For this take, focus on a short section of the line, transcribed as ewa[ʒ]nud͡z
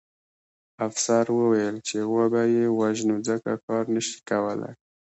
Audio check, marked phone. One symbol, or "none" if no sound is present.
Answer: ʒ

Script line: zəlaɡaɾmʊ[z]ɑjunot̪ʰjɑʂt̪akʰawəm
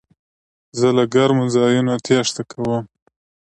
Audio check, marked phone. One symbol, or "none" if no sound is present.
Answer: z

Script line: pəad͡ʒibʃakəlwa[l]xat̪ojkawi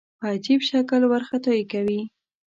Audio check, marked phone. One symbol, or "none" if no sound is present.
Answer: ɾ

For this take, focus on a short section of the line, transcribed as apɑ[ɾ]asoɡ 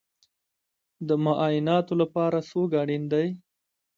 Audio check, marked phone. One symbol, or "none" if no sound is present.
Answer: ɾ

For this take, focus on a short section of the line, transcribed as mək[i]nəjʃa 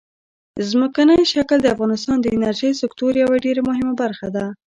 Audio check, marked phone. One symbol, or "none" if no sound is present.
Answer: a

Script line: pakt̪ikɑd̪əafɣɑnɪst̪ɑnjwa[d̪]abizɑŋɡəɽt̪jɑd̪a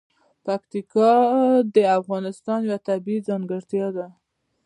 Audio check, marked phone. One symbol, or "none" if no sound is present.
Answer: t̪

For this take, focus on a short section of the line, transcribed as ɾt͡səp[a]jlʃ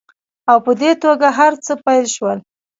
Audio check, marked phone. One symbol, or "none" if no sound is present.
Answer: a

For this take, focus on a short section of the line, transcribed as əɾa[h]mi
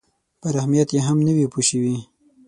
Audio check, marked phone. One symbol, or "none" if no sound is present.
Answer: h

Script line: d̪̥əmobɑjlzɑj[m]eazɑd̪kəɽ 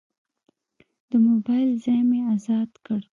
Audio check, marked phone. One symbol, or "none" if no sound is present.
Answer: m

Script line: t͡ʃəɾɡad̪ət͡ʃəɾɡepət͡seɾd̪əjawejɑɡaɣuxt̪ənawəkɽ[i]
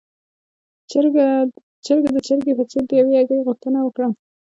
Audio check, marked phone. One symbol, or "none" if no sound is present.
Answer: a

